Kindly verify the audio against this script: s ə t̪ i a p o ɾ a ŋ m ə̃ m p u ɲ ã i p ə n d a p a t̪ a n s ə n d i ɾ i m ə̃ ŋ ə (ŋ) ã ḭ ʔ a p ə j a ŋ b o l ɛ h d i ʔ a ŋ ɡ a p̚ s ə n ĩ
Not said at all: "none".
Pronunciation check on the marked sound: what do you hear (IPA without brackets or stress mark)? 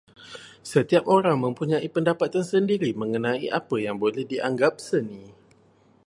n